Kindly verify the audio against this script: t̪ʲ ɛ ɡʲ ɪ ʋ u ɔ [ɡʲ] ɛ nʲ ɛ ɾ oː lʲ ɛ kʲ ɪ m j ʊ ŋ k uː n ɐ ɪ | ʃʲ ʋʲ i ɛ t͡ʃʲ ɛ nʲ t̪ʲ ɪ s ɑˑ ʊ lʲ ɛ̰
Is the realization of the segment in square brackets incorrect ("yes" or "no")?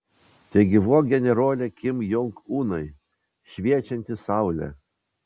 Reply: no